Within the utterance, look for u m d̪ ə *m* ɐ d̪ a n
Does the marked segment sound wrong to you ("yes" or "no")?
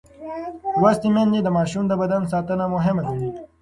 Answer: yes